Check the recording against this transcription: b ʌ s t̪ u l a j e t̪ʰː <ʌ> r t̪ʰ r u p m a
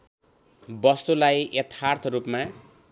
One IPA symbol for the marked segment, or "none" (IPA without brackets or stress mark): a